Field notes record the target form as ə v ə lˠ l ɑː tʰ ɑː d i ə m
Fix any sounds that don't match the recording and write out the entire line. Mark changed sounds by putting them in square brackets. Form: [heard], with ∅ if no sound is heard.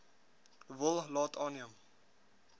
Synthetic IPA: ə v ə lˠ l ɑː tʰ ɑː [n] i ə m